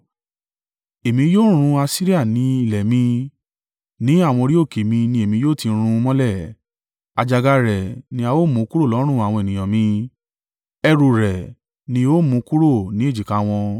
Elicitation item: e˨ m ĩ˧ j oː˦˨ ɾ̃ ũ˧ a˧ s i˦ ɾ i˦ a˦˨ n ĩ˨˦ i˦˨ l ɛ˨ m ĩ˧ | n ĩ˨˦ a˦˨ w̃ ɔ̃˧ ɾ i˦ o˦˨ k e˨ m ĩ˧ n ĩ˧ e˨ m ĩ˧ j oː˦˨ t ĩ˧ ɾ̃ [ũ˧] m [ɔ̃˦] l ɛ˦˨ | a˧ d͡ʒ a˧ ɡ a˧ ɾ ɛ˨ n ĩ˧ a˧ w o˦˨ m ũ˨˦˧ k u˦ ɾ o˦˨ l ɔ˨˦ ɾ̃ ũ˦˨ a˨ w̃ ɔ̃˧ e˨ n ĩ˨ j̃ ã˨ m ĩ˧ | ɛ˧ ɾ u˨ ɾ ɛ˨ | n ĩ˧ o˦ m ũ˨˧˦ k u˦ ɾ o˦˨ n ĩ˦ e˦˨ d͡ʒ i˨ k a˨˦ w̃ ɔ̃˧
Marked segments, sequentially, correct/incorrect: correct, correct

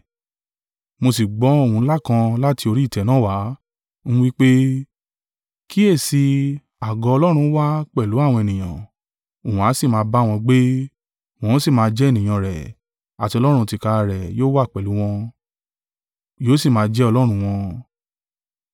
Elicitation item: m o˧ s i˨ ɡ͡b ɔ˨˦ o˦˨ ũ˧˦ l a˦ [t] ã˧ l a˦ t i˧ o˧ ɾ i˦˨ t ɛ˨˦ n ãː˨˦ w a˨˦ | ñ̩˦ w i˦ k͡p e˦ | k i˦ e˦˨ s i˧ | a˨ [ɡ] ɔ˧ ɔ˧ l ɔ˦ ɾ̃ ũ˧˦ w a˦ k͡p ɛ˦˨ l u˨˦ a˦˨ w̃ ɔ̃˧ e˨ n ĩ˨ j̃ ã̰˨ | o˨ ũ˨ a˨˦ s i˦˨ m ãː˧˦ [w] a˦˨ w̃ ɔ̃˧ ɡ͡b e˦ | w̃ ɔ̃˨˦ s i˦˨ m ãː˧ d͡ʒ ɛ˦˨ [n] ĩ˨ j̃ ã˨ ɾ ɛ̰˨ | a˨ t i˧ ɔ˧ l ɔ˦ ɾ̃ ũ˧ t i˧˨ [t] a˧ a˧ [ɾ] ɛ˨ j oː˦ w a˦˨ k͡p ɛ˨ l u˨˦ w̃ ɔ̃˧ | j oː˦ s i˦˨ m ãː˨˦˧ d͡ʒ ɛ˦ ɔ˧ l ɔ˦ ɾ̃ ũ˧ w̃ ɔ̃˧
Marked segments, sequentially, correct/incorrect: incorrect, correct, incorrect, correct, incorrect, correct

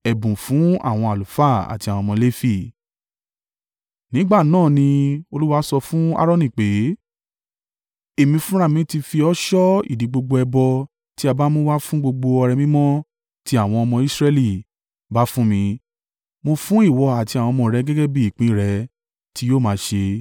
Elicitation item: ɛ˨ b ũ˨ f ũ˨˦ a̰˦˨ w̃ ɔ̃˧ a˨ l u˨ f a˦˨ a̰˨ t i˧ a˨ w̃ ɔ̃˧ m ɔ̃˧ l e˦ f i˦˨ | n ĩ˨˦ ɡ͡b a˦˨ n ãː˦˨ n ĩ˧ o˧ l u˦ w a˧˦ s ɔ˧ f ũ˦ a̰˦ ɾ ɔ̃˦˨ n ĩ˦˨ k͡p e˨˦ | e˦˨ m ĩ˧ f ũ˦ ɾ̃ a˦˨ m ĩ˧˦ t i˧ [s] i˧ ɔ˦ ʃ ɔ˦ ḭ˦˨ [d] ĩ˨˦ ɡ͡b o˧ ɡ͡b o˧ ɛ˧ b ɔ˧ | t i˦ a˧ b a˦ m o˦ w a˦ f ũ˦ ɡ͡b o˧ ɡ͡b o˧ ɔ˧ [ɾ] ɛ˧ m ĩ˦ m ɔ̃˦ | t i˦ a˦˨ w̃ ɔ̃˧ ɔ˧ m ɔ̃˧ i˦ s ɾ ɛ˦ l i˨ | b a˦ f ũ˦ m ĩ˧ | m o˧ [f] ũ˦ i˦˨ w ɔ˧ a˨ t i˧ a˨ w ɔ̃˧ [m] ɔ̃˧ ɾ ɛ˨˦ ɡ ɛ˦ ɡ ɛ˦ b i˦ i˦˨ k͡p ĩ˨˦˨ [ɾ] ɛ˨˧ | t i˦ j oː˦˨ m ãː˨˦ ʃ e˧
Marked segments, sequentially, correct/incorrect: incorrect, correct, correct, correct, correct, correct

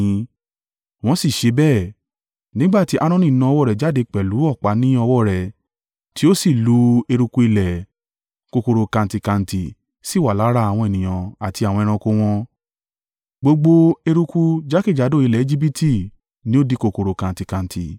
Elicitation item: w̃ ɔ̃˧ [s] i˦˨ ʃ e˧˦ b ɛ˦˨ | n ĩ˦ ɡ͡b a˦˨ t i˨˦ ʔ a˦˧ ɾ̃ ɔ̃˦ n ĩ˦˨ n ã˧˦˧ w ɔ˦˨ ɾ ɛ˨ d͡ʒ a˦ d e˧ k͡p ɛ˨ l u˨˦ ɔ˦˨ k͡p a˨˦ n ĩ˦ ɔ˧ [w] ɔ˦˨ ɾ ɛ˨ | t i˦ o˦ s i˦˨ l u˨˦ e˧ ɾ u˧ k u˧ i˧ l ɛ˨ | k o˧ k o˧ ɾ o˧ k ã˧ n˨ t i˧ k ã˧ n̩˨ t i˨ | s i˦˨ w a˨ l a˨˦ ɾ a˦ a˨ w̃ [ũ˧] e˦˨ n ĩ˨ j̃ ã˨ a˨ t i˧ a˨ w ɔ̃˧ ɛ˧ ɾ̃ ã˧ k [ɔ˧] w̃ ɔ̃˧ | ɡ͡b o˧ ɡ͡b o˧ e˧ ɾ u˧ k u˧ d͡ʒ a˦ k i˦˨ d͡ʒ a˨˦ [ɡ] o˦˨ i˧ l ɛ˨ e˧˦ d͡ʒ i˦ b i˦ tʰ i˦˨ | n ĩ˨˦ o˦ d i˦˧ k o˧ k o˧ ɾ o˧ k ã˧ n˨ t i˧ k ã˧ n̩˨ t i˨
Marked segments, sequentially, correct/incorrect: correct, correct, incorrect, incorrect, incorrect

